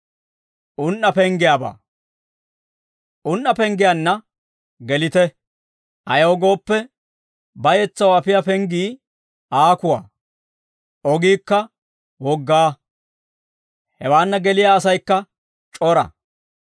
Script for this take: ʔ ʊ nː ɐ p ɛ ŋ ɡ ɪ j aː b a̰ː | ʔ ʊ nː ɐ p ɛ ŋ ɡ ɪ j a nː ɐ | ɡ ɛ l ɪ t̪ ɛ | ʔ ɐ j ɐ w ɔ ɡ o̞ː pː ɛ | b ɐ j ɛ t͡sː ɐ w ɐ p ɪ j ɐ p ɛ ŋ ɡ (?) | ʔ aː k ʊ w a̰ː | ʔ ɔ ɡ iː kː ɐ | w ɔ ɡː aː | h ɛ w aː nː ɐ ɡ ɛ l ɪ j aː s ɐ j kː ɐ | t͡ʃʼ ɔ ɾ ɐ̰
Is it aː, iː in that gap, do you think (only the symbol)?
iː